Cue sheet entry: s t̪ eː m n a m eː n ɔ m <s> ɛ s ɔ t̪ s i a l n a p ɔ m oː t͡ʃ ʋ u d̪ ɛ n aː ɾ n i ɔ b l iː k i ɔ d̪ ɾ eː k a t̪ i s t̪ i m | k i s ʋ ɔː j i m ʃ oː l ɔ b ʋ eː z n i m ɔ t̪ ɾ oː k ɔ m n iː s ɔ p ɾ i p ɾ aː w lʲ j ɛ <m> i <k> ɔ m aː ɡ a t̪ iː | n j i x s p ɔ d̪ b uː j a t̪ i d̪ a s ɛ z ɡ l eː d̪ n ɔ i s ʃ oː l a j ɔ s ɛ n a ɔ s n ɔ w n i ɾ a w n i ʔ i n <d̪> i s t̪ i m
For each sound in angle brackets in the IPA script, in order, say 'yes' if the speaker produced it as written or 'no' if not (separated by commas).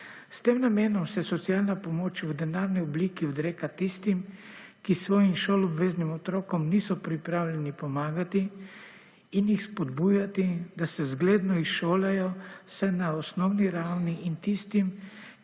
yes, no, no, no